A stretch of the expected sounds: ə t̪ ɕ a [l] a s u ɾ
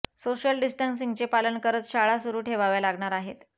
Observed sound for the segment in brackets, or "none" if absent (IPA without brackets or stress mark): ɭ